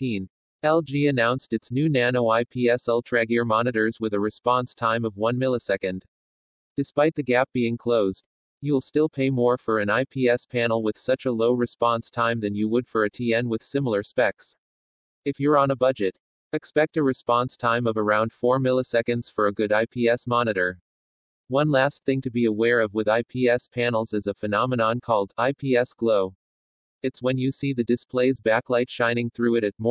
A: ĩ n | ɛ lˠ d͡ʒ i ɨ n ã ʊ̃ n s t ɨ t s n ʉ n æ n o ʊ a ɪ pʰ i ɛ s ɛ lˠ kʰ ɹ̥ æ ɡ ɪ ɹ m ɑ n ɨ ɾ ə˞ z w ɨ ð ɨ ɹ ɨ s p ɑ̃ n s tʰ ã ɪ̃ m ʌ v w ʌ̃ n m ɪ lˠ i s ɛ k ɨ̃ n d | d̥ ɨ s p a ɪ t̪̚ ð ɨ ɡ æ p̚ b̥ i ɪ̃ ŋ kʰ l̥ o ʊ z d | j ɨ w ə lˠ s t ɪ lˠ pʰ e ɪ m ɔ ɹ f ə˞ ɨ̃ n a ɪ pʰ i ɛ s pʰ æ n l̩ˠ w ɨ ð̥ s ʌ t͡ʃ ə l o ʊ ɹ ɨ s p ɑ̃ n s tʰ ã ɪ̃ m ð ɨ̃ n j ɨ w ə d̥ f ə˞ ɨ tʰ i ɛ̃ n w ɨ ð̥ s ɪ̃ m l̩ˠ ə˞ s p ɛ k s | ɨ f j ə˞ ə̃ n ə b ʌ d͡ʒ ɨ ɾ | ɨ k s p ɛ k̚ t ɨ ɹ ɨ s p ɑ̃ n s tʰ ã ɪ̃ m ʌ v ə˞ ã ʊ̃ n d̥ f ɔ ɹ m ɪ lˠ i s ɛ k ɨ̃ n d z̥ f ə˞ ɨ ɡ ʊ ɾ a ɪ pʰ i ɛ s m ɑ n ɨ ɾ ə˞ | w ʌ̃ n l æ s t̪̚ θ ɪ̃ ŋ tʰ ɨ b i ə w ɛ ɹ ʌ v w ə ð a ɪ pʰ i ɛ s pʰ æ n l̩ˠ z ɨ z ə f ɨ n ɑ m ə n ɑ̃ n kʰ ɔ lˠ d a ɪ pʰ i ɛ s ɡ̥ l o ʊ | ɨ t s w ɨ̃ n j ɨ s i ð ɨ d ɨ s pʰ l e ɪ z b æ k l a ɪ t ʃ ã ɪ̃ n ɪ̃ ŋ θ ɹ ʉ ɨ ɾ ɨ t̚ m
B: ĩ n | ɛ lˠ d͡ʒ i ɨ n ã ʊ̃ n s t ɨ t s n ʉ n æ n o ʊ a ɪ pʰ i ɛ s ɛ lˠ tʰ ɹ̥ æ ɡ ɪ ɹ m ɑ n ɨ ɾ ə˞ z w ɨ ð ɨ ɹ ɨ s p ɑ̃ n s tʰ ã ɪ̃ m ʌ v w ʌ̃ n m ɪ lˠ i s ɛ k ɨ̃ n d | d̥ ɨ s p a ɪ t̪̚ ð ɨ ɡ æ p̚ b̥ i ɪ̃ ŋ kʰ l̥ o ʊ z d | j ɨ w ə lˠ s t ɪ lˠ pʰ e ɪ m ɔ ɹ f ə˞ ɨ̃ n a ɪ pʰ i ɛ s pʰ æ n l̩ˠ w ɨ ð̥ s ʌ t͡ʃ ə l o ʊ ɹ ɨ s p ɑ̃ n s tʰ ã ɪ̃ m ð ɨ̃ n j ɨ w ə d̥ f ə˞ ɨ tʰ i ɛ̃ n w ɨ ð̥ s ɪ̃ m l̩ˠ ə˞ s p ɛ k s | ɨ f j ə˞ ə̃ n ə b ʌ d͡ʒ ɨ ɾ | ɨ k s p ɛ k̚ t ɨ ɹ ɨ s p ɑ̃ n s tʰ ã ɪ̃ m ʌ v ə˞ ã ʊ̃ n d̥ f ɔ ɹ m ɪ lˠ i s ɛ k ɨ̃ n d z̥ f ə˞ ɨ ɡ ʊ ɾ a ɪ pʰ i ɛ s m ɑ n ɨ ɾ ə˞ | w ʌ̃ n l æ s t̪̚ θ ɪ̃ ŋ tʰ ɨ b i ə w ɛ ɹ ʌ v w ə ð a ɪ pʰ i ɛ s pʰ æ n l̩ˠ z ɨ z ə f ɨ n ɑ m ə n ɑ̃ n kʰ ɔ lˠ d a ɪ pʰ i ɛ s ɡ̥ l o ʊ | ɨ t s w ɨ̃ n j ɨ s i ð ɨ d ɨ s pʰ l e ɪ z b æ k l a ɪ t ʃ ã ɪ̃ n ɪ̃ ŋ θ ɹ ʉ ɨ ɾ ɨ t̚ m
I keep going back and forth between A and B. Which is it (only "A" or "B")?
B